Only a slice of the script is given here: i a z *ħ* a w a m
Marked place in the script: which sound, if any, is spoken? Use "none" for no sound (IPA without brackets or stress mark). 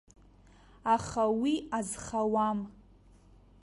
χ